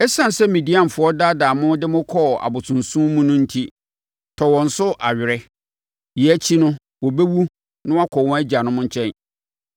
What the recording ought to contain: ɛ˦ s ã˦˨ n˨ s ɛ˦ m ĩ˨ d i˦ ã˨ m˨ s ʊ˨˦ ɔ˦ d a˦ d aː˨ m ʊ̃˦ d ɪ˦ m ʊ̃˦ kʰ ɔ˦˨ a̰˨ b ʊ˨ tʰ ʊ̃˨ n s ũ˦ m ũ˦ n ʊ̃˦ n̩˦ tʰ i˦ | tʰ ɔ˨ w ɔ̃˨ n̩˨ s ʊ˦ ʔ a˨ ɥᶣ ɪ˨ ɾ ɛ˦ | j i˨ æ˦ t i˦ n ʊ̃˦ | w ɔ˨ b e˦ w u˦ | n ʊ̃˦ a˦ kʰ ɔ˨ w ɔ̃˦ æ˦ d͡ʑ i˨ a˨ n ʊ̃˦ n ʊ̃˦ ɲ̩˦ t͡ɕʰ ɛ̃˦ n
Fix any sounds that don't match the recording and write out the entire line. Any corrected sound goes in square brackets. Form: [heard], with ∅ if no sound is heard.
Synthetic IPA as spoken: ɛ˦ s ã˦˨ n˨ s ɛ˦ m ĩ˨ d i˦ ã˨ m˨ [f] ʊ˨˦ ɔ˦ d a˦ d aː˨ m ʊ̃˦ d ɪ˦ m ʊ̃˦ kʰ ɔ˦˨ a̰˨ b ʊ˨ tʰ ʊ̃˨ n s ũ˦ m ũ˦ n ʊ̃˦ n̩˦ tʰ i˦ | tʰ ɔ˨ w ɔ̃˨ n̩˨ s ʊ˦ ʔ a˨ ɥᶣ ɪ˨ ɾ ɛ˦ | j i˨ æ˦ [t͡ɕʰ] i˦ n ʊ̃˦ | w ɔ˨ b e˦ w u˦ | n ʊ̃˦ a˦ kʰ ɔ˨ w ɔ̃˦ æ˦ d͡ʑ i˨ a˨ n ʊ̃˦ [m] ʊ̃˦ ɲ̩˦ t͡ɕʰ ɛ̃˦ n